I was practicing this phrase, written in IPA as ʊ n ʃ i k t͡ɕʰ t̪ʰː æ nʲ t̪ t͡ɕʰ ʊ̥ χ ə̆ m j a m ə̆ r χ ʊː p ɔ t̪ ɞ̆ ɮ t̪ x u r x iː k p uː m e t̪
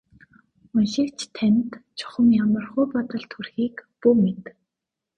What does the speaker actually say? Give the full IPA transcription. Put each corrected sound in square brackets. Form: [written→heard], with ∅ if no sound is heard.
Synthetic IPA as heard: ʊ n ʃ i k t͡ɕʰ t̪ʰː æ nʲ t̪ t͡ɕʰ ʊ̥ χ ə̆ m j a m ə̆ r χ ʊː p ɔ t̪ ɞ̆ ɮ t̪ x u r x iː k p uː m e t̪